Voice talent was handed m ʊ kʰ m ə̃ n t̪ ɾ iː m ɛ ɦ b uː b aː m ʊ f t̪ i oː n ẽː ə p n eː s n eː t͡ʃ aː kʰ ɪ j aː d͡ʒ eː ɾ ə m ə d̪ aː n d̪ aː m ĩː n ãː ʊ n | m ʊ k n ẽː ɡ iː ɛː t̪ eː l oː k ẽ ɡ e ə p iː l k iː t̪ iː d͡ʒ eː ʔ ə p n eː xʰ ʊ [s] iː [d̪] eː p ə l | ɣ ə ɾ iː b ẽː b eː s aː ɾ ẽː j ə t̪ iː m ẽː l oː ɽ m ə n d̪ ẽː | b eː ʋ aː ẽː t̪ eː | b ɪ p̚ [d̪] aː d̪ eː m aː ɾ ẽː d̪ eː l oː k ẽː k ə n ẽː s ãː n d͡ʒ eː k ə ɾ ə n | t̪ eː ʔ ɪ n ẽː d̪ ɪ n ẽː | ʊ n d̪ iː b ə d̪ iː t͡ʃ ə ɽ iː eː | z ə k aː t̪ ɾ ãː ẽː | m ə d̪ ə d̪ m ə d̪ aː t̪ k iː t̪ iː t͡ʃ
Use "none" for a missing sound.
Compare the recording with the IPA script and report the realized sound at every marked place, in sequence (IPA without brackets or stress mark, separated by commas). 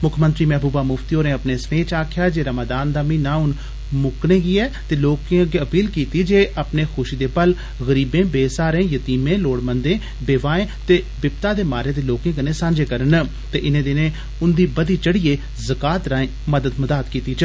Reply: ʃ, d̪, t̪